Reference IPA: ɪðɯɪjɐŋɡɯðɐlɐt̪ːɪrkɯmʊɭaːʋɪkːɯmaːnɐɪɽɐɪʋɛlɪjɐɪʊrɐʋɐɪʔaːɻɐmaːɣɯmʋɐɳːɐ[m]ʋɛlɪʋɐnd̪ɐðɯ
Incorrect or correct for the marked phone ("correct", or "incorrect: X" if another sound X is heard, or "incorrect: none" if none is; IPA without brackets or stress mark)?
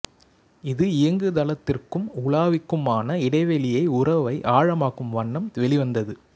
correct